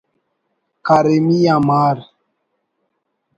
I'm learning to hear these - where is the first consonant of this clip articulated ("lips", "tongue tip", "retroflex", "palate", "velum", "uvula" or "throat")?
velum